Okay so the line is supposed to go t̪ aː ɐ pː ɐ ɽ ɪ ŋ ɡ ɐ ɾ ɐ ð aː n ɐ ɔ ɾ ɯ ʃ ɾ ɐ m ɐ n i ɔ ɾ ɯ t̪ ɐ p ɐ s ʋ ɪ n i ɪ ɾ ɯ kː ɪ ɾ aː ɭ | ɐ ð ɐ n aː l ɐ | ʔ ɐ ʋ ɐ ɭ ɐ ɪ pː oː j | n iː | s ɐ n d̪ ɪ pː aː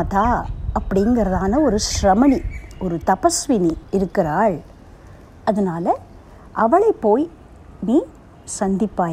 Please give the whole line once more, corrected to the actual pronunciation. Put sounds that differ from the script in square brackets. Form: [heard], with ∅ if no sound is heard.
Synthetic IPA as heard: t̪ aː ɐ pː ɐ ɽ ɪ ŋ ɡ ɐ ɾ ɐ ð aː n ɐ ɔ ɾ ɯ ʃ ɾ ɐ m ɐ n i ɔ ɾ ɯ t̪ ɐ p ɐ s ʋ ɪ n i ɪ ɾ ɯ kː ɪ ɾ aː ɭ | ɐ ð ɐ n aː l ɐ | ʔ ɐ ʋ ɐ ɭ ɐ ɪ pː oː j | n iː | s ɐ n d̪ ɪ pː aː